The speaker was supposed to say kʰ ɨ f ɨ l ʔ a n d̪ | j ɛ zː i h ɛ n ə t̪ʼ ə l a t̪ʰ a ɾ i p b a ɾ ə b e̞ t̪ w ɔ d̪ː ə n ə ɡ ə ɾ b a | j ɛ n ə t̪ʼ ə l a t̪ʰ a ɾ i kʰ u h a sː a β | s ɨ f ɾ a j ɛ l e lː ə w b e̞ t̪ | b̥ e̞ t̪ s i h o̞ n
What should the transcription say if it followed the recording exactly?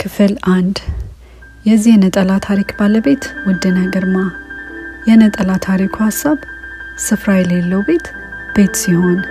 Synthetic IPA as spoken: kʰ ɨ f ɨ l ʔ a n d̪ | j ɛ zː i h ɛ n ə t̪ʼ ə l a t̪ʰ a ɾ i k b a l ə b e̞ t̪ w ɔ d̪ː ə n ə ɡ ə ɾ m a | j ɛ n ə t̪ʼ ə l a t̪ʰ a ɾ i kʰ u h a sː a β | s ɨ f ɾ a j ɛ l e lː ə w b e̞ t̪ | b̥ e̞ t̪ s i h o̞ n